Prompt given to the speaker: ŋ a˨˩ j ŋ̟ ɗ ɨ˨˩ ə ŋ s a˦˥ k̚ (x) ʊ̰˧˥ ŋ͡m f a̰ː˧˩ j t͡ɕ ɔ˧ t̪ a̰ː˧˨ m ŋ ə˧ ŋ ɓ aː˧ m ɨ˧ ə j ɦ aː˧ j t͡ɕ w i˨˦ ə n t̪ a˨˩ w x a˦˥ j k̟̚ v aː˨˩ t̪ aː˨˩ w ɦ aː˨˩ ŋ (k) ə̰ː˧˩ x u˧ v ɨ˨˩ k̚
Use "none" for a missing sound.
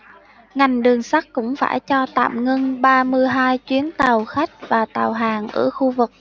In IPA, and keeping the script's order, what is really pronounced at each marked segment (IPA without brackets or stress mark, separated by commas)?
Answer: k, ʔ